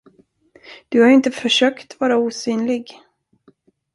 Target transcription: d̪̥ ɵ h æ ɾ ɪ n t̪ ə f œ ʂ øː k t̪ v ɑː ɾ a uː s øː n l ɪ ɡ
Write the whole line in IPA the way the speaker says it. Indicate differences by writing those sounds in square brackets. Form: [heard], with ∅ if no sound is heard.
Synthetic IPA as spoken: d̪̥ ɵ h [a] ɾ ɪ n t̪ ə f œ ʂ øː k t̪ v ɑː ɾ a uː s [yː] n l ɪ ɡ